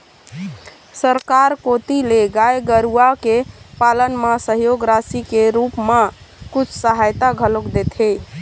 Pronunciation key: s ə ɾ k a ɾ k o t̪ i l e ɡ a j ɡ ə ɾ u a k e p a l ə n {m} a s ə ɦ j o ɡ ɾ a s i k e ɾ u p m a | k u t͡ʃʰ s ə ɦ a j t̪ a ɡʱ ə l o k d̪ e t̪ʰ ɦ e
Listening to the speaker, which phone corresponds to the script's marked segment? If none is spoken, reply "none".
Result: m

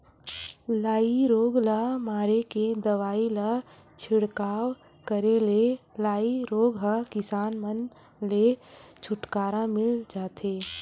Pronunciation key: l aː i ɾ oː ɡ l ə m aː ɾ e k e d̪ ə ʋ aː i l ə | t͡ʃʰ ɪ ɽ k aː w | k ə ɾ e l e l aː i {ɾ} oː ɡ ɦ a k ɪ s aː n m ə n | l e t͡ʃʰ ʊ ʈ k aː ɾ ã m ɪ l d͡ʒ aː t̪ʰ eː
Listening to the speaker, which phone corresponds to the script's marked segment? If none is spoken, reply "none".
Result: ɾ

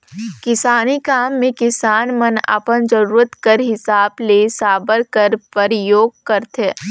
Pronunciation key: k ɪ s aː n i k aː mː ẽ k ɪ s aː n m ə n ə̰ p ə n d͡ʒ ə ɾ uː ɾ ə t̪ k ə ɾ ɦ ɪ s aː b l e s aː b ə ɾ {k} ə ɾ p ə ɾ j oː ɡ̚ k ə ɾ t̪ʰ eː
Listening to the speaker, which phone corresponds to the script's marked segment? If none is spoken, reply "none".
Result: k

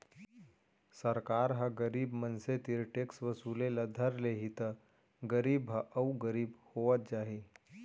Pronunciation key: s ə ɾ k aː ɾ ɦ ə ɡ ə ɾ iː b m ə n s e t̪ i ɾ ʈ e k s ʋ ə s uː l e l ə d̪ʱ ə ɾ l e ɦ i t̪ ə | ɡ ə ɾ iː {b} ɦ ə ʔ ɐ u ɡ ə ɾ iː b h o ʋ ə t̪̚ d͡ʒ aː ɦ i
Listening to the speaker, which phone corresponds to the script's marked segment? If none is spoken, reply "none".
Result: b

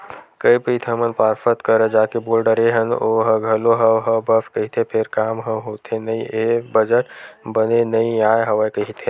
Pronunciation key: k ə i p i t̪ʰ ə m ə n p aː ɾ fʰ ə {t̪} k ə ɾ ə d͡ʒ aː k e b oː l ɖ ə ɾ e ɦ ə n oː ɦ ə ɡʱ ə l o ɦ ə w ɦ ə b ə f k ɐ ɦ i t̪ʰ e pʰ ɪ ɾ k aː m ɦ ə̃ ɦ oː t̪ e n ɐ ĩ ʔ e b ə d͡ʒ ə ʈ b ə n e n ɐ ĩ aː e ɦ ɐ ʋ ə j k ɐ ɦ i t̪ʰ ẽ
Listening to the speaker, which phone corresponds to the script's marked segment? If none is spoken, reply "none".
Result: t̪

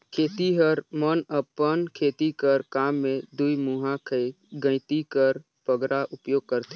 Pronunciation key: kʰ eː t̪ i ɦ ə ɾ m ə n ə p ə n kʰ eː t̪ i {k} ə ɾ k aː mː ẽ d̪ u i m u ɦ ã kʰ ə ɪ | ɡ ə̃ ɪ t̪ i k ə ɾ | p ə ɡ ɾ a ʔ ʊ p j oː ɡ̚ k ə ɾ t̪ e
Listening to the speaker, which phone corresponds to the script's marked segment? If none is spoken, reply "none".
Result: k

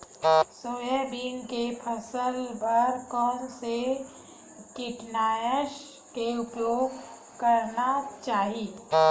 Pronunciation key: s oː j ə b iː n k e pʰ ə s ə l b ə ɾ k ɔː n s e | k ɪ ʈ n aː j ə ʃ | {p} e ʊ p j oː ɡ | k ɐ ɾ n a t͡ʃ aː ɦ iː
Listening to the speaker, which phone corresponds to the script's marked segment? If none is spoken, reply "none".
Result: k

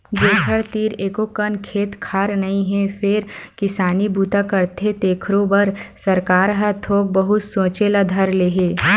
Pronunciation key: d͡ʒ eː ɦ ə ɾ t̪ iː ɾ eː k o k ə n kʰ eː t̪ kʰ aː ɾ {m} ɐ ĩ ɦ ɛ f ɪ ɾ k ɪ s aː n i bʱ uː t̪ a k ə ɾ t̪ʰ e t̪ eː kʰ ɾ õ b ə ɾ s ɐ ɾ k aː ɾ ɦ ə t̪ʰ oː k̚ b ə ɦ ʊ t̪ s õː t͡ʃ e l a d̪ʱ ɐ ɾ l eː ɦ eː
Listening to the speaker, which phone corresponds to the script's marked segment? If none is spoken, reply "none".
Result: n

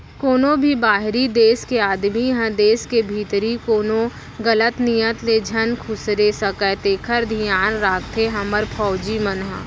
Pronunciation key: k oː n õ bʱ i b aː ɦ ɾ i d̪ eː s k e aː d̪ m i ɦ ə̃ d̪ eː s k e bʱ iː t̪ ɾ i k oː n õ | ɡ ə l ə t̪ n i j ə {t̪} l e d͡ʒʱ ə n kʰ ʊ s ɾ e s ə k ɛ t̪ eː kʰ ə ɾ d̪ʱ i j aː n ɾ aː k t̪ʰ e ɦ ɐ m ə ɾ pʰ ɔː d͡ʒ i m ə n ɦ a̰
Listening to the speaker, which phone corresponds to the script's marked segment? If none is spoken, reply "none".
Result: t̪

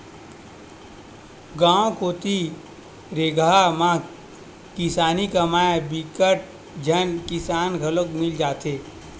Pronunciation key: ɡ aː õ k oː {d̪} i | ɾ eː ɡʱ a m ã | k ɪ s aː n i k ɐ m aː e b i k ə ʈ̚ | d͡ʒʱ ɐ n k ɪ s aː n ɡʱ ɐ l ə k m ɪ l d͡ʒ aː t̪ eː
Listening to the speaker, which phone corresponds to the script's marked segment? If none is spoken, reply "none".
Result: t̪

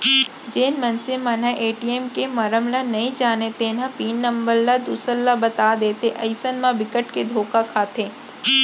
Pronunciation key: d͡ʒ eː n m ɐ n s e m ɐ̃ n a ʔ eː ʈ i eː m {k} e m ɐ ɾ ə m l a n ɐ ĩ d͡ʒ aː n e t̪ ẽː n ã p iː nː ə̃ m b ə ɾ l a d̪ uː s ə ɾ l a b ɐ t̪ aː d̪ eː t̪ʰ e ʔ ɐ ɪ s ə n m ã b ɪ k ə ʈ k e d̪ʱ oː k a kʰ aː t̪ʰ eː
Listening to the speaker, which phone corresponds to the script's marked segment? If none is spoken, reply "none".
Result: k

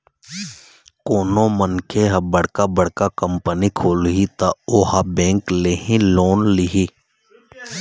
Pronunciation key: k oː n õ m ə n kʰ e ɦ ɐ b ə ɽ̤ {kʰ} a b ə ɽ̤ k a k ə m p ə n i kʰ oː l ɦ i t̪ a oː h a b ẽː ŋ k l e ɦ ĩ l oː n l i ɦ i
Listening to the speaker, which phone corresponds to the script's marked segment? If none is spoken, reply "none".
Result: k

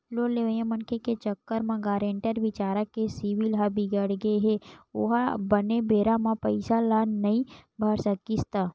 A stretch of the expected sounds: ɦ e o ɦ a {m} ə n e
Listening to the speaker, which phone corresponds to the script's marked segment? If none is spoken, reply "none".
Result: b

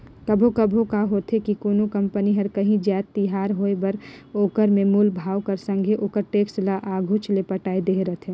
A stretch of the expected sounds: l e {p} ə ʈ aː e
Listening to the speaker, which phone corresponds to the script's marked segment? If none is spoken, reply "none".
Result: p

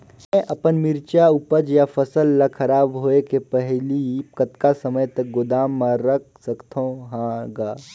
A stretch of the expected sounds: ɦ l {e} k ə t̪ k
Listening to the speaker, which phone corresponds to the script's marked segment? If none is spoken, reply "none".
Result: i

